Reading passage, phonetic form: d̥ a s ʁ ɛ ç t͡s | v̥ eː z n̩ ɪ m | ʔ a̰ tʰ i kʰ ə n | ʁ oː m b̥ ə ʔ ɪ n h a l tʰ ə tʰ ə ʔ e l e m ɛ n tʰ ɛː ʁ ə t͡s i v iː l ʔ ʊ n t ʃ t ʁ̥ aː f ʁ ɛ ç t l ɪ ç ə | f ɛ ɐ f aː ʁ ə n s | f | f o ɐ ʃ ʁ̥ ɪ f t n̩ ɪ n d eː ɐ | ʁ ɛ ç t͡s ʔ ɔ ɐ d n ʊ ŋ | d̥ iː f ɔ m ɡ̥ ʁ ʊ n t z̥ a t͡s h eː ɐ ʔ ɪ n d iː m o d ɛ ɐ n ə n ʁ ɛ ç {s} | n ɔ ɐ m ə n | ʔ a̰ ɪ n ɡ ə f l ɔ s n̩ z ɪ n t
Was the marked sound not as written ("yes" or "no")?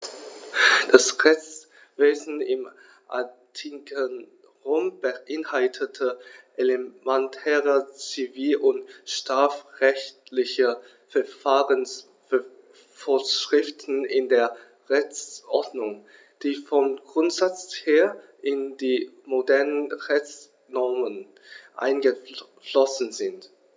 yes